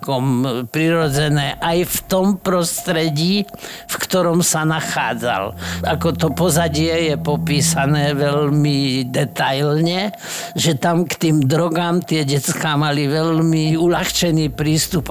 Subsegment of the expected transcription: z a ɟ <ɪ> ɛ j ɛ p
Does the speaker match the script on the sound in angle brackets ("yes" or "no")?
yes